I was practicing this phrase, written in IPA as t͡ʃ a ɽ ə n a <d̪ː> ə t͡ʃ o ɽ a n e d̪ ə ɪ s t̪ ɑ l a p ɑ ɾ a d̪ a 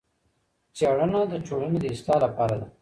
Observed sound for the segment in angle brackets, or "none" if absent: d̪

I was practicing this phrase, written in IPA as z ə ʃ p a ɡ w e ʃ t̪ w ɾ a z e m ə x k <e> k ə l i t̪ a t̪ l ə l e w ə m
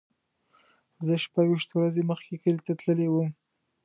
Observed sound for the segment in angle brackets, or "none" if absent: e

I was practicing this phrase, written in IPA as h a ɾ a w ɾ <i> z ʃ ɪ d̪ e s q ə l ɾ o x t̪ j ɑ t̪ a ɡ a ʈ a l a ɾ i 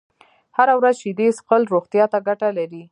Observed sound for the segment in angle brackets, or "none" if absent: a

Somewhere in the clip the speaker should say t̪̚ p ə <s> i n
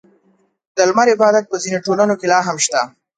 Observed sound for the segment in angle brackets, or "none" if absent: z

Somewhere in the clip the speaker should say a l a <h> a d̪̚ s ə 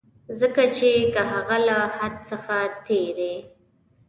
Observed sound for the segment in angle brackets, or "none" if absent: h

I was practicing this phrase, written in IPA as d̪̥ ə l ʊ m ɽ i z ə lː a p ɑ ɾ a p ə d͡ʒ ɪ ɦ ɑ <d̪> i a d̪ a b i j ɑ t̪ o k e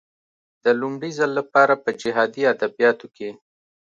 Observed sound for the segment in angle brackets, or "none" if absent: d̪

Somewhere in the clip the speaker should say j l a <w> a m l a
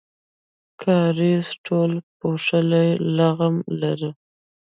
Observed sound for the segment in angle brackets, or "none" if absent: ɣ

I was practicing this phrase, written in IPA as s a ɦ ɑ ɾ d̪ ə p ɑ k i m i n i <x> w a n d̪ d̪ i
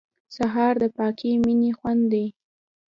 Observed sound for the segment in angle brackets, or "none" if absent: x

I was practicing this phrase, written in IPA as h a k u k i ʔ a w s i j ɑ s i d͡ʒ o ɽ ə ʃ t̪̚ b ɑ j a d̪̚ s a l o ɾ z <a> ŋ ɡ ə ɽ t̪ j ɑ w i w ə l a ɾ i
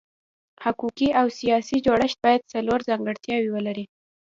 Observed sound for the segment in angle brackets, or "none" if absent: ɑ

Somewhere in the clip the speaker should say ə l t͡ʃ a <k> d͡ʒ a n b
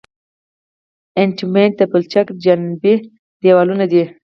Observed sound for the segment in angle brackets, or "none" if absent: k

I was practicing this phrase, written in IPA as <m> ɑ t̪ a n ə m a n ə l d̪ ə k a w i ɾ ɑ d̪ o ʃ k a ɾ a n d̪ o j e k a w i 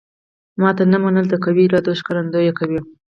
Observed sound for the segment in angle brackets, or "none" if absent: m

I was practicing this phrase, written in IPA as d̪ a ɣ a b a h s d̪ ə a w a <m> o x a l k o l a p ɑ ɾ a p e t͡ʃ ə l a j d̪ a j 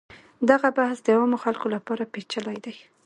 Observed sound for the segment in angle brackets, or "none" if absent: m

